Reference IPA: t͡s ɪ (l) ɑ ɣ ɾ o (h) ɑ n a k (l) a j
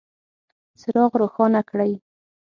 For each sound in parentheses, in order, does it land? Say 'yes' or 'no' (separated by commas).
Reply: no, no, no